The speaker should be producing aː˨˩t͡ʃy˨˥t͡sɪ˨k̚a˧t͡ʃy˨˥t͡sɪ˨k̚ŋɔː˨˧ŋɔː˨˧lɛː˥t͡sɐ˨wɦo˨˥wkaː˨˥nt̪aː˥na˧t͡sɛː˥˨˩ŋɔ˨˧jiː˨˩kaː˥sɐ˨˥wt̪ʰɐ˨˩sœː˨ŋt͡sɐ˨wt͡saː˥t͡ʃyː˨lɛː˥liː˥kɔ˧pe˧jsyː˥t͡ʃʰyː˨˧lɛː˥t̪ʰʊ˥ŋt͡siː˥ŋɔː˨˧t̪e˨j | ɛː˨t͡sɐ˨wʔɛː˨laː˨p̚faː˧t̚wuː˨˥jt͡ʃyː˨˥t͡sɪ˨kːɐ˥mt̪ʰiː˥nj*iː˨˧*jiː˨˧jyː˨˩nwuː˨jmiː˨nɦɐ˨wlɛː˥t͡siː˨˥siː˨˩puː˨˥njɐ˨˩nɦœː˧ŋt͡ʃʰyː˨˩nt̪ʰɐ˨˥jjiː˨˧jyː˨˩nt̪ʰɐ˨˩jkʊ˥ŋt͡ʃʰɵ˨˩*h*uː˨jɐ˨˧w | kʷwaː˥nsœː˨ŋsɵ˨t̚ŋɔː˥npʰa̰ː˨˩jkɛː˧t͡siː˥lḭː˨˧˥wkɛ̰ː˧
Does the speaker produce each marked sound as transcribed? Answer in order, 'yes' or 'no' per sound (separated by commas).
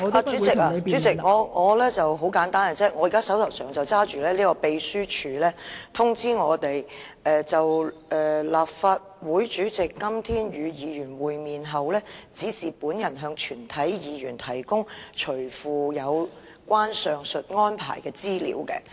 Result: no, no